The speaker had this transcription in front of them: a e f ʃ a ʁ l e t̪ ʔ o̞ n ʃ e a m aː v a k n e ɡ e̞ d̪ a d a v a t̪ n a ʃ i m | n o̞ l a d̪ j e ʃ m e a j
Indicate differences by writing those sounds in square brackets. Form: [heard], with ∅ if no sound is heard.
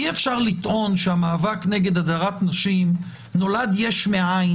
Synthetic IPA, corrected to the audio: [i] e f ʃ a ʁ l [i] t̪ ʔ o̞ n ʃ e a m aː v a k n e ɡ e̞ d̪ a d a [ʁ] a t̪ n a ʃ i m | n o̞ l a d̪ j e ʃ m e a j